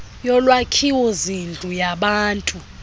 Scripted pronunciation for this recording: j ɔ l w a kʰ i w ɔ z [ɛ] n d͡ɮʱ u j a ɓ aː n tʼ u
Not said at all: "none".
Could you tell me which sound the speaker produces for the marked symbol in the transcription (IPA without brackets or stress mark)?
i